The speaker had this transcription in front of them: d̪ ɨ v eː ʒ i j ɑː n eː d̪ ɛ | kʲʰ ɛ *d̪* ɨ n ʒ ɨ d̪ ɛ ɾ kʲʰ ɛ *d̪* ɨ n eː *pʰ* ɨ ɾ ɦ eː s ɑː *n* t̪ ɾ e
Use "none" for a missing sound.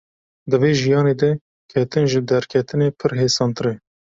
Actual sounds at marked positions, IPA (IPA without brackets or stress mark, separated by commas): t̪, t̪, pʰ, n